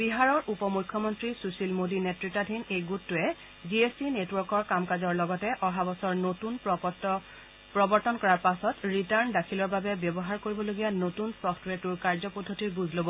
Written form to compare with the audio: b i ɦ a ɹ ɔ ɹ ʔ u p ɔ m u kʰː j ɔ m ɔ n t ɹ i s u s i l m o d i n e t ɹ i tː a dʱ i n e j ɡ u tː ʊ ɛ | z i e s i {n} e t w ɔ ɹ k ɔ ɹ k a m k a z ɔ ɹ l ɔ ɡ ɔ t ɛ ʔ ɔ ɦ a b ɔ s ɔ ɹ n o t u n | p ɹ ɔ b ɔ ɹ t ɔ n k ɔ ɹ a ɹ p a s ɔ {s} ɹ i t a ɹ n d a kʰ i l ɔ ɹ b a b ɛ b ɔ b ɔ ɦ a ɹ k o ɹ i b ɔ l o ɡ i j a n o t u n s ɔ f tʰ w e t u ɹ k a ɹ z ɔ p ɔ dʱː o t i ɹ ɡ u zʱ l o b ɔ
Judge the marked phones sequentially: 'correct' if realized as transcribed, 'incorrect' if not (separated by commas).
correct, incorrect